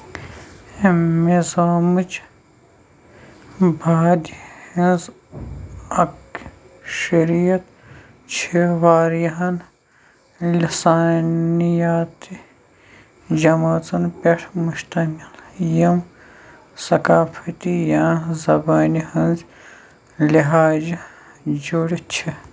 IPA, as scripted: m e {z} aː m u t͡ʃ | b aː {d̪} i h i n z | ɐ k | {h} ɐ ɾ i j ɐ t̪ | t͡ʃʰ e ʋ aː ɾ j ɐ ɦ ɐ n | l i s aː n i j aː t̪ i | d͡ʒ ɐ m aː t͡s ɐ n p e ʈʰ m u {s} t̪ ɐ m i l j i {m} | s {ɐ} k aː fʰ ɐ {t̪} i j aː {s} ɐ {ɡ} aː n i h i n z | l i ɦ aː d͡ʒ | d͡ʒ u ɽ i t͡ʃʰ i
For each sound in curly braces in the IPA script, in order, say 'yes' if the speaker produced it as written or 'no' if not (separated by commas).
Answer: yes, yes, no, no, yes, yes, yes, no, no